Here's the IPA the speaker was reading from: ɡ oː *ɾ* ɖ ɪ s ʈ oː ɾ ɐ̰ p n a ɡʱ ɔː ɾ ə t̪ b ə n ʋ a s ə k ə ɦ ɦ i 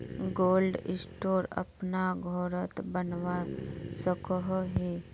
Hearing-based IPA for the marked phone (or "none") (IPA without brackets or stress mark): l